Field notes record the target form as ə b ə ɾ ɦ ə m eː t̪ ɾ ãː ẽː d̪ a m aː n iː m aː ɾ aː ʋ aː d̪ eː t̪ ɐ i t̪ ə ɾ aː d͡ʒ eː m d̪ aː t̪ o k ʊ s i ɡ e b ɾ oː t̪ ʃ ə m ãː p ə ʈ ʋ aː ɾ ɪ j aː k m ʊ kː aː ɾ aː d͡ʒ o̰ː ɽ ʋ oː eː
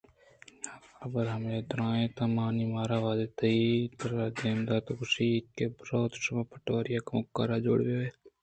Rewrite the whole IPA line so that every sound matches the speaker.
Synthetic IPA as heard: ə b ə ɾ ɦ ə m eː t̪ ɾ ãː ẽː t̪ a m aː n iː m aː ɾ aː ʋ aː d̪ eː t̪ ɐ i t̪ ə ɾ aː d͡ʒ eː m d̪ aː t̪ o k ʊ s i k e b ɾ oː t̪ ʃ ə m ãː p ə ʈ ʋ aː ɾ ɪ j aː k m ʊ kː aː ɾ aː d͡ʒ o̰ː ɽ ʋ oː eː